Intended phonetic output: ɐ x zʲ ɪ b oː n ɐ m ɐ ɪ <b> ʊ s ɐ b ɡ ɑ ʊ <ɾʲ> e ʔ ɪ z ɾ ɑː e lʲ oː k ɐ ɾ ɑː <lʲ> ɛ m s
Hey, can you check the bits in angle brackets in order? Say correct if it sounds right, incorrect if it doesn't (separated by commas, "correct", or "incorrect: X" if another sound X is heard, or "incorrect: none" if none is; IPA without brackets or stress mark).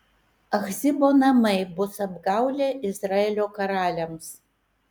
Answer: correct, incorrect: lʲ, correct